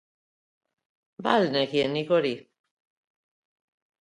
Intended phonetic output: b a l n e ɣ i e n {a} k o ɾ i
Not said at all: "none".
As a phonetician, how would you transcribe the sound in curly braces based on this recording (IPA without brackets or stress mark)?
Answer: i